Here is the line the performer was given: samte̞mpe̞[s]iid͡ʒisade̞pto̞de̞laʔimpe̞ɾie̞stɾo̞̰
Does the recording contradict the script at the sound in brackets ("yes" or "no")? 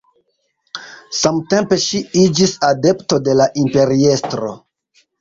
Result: yes